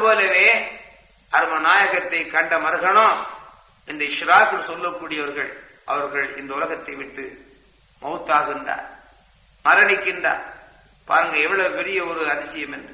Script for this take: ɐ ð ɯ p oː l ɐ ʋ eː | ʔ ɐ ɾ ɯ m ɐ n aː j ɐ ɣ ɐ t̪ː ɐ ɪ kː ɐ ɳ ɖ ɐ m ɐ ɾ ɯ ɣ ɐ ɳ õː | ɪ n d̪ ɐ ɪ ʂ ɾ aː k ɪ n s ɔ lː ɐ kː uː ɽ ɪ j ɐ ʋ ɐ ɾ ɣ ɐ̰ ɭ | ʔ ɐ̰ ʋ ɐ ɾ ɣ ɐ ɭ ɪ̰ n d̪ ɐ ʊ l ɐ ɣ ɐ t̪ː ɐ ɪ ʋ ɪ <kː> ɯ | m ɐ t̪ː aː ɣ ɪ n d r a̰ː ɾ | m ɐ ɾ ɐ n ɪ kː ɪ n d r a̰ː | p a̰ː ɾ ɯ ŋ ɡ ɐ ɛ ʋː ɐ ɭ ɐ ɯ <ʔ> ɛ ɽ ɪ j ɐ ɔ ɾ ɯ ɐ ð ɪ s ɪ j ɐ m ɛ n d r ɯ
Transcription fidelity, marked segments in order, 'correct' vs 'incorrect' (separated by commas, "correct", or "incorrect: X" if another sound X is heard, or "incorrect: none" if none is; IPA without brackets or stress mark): incorrect: ʈː, incorrect: p